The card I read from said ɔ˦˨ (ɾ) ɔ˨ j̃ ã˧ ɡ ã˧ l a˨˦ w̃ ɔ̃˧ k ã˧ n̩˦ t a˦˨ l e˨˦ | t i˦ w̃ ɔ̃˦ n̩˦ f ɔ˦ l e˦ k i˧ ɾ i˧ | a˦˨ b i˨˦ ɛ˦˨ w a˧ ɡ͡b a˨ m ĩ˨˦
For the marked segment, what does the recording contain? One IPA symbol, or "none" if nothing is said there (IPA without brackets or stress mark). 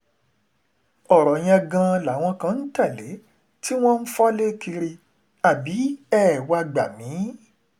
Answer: ɾ